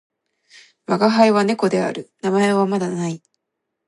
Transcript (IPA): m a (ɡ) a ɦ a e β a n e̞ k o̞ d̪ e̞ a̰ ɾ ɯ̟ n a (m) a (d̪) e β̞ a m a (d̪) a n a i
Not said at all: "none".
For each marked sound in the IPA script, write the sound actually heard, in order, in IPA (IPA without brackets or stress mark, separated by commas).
ɡ, m, none, d̪